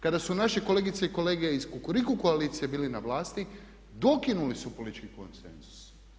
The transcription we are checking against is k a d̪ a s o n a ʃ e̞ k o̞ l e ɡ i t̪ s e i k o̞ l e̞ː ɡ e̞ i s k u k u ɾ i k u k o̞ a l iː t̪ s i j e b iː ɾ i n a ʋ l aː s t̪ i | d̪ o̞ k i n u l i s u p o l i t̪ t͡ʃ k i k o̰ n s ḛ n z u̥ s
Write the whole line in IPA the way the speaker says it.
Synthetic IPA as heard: k a d̪ a s u n a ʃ e̞ k o̞ l e ɡ i t̪ s e i k o̞ l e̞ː ɡ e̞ i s k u k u ɾ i k u k o̞ a l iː t̪ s i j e b iː l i n a ʋ l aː s t̪ i | d̪ o̞ k i n u l i s u p o l i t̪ t͡ʃ k i k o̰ n s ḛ n z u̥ s